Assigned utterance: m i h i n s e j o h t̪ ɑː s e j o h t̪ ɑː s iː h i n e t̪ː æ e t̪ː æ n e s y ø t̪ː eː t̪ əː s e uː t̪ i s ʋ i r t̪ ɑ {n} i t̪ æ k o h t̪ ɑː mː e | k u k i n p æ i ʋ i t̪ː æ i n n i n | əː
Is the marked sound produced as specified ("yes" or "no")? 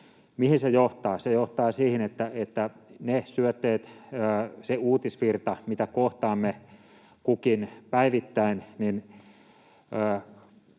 no